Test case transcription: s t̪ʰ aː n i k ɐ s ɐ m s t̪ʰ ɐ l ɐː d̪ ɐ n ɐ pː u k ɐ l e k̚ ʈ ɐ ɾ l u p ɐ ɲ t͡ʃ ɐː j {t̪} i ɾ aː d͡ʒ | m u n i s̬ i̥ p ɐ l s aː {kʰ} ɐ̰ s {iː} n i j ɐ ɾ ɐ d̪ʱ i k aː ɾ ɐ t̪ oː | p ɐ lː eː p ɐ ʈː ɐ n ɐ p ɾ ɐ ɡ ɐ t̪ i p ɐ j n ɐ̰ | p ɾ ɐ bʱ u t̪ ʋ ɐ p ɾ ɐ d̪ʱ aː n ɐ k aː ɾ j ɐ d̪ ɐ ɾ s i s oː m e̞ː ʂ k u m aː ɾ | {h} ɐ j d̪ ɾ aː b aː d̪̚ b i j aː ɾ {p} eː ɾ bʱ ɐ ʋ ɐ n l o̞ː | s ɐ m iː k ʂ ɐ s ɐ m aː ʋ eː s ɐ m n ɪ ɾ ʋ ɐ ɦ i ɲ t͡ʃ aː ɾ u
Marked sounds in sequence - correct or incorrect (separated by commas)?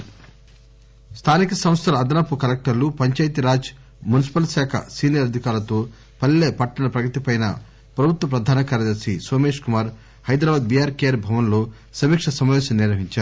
correct, correct, correct, correct, incorrect